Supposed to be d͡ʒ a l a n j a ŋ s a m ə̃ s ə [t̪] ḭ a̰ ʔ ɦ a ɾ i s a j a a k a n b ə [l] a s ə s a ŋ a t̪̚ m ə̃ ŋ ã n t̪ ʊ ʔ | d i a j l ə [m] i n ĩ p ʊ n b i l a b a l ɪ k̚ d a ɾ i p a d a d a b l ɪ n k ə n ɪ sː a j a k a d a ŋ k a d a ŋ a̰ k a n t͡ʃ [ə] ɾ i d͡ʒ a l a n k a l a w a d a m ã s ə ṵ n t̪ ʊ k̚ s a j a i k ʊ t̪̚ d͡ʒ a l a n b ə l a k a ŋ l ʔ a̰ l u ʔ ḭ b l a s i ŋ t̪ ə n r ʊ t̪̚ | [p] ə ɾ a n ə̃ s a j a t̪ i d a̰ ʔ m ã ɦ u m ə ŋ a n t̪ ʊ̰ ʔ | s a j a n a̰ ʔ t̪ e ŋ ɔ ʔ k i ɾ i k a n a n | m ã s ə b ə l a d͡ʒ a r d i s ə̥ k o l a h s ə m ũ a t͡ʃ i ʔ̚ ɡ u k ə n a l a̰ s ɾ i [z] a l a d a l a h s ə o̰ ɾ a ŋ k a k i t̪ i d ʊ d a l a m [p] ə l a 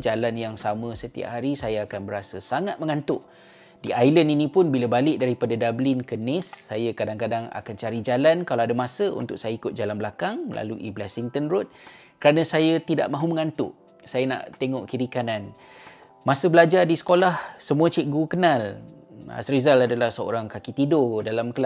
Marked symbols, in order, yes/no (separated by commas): yes, no, no, no, no, yes, no